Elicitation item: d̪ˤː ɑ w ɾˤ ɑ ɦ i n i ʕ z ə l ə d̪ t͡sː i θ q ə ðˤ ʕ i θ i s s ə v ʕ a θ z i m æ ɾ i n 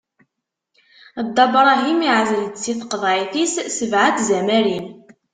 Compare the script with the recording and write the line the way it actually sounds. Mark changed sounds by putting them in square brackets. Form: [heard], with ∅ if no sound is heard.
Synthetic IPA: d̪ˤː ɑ [b] ɾˤ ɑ ɦ i [m] i ʕ z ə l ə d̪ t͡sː i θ q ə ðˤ ʕ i θ i s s ə v ʕ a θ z [æ] m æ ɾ i n